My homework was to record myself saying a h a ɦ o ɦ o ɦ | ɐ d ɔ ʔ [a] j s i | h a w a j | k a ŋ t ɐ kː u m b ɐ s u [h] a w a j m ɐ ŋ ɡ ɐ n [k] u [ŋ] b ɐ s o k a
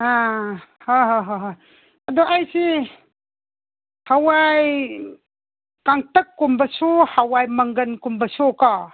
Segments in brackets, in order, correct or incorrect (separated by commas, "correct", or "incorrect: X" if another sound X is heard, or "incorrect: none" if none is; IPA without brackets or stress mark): correct, correct, correct, incorrect: m